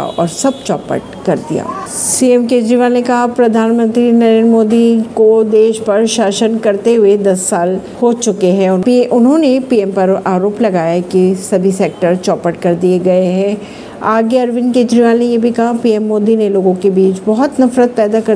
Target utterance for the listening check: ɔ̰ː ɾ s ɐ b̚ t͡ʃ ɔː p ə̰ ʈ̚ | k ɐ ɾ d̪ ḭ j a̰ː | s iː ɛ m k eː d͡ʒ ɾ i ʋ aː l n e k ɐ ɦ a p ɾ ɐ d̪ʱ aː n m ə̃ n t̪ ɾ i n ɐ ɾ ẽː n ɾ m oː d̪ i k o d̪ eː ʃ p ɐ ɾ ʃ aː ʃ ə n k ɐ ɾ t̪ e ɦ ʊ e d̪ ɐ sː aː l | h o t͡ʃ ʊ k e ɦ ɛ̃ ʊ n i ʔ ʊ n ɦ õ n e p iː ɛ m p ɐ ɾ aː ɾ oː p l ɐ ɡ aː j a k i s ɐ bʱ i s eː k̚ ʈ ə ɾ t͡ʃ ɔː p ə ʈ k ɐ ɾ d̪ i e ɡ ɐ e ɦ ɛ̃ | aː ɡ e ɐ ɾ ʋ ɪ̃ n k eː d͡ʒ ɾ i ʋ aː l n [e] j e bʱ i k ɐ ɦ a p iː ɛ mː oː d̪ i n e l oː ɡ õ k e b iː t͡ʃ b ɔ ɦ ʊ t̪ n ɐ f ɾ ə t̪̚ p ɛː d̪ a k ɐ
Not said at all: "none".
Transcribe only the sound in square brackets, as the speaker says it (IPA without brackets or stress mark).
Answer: e